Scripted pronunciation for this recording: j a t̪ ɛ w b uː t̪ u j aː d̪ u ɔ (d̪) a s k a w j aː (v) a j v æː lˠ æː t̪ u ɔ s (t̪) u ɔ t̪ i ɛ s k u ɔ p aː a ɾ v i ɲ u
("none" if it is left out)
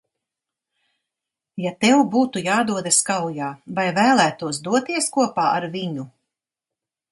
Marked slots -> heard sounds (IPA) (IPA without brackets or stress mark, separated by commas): d̪, v, d̪